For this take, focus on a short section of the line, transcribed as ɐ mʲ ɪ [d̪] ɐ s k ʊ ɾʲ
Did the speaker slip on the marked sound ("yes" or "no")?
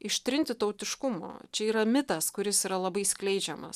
yes